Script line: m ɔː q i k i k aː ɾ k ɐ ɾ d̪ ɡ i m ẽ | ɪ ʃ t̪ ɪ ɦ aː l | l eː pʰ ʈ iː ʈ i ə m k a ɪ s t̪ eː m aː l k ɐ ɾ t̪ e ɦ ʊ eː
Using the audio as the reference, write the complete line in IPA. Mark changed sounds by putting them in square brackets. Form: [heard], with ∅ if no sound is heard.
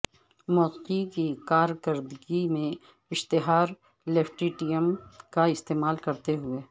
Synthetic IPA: m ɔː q i k i k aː ɾ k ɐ ɾ d̪ ɡ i m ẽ | ɪ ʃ t̪ ɪ ɦ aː [ɾ] | l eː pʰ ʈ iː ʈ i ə m k a ɪ s t̪ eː m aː l k ɐ ɾ t̪ e ɦ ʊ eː